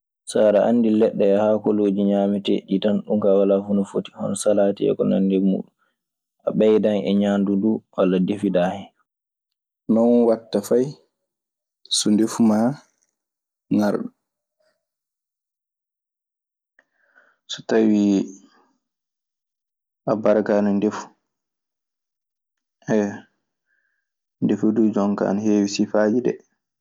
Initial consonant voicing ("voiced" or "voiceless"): voiceless